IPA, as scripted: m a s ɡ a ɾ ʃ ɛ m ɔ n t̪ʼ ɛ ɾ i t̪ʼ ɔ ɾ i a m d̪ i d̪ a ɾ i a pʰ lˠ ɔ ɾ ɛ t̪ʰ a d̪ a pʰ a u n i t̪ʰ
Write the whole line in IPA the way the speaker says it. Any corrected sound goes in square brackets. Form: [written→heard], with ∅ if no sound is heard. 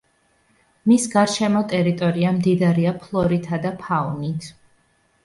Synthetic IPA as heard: m [a→i] s ɡ a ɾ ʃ ɛ m ɔ [n→∅] t̪ʼ ɛ ɾ i t̪ʼ ɔ ɾ i a m d̪ i d̪ a ɾ i a pʰ lˠ ɔ ɾ [ɛ→i] t̪ʰ a d̪ a pʰ a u n i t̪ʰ